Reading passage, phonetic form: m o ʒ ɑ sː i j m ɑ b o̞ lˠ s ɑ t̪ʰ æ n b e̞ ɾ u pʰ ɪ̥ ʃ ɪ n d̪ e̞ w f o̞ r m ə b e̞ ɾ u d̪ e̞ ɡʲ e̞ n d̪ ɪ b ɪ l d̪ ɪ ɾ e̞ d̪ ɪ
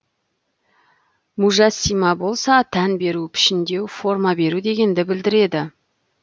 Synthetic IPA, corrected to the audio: m u ʒ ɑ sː i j m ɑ b o̞ lˠ s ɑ t̪ʰ æ n b e̞ ɾ u pʰ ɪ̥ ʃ ɪ n d̪ e̞ w f o̞ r m ɑ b e̞ ɾ u d̪ e̞ ɡʲ e̞ n d̪ ɪ b ɪ l d̪ ɪ ɾ e̞ d̪ ɪ